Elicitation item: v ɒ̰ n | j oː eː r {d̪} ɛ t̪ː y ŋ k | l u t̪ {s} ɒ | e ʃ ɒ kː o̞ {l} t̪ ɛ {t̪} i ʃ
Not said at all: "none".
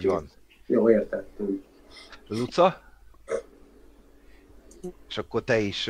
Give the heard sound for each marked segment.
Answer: t̪, s, r, none

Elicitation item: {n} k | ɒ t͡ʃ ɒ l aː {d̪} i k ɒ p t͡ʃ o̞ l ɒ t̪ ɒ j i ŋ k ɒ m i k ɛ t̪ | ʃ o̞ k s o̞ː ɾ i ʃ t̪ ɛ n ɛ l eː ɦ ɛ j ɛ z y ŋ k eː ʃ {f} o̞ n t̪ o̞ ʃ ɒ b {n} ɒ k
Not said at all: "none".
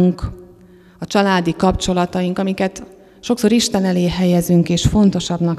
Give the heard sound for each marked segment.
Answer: ŋ, d̪, f, n

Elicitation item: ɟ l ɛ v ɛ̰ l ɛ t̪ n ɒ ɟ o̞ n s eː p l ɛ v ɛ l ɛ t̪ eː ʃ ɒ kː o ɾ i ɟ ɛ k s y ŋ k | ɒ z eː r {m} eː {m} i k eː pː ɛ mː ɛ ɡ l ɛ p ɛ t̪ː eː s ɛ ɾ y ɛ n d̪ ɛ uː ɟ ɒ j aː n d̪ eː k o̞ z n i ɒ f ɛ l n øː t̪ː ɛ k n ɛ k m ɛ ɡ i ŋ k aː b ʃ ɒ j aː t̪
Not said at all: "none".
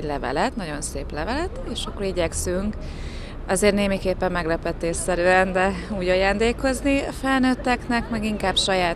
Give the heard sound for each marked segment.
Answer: n, m

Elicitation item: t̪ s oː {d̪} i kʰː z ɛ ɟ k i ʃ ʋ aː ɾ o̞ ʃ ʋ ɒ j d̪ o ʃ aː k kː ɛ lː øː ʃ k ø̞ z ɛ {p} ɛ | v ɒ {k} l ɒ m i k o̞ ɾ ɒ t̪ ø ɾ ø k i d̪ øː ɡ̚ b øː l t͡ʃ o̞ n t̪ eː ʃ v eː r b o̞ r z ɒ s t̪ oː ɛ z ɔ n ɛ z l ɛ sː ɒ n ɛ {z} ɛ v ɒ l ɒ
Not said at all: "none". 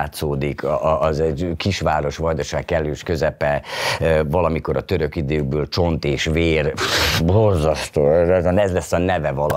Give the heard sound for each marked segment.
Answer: d̪, p, none, v

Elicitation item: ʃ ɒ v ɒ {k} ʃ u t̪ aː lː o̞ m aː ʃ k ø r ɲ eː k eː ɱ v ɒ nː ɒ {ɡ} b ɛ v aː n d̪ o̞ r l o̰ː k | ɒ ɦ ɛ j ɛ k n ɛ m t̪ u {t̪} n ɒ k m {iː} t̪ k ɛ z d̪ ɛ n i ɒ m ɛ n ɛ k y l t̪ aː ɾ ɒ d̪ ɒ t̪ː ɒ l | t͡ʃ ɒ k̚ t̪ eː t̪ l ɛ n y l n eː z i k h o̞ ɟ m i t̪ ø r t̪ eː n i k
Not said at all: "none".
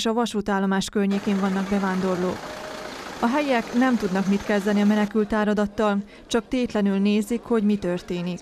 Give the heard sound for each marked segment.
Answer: none, ɡ, d̪, i

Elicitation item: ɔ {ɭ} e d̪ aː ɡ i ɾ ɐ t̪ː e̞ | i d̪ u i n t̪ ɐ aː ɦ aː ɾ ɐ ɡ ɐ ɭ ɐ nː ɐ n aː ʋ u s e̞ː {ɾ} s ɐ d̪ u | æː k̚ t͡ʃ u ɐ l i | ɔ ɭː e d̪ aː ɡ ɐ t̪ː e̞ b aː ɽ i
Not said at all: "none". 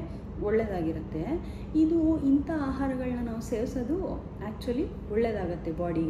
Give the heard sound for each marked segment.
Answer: ɭː, ɾ

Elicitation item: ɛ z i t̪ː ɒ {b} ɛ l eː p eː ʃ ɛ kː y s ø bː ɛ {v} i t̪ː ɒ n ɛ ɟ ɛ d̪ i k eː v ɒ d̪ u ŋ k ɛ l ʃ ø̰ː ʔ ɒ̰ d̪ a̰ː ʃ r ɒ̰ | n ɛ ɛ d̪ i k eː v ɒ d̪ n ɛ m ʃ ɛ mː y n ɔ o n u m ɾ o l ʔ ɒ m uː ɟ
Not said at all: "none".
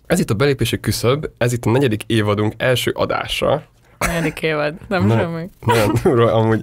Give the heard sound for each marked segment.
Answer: b, z

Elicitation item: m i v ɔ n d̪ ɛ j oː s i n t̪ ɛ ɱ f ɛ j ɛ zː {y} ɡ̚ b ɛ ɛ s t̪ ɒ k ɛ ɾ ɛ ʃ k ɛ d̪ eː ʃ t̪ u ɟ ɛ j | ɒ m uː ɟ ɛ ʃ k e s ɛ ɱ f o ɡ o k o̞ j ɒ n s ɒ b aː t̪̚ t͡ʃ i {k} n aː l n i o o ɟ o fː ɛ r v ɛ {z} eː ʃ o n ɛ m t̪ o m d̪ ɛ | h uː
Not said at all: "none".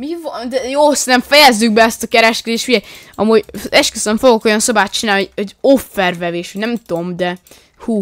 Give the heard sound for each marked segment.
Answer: y, none, v

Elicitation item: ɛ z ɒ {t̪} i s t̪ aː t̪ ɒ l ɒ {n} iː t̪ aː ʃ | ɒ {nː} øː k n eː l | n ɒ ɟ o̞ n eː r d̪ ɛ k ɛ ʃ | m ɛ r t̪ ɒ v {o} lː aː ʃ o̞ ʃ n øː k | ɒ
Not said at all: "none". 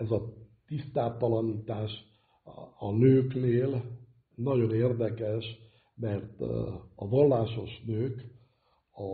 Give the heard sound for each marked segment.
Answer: t̪, n, n, ɒ

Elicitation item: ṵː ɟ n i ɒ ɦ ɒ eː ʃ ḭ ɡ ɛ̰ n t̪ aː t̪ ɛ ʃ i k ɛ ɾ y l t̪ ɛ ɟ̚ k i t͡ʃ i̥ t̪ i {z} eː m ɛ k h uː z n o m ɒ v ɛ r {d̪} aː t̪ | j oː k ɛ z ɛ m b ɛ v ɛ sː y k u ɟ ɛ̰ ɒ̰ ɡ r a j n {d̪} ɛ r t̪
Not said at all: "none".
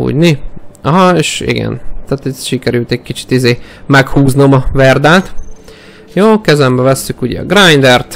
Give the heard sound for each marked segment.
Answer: z, d̪, d̪

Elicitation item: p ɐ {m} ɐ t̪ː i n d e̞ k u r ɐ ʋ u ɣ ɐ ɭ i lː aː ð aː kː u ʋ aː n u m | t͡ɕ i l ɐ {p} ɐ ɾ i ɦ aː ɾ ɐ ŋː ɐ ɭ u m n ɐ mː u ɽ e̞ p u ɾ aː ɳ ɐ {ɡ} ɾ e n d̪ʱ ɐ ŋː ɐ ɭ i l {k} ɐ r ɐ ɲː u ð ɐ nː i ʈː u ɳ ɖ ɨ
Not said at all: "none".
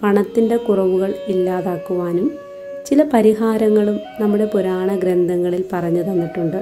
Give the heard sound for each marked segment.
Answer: ɳ, p, ɡ, p

